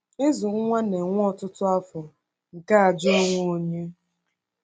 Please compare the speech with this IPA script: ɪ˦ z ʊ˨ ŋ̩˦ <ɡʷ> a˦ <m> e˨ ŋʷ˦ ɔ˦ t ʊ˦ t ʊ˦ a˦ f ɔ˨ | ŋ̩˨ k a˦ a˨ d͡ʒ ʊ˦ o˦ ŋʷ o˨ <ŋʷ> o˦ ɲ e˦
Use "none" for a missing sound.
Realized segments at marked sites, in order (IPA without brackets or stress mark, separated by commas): ŋʷ, n, none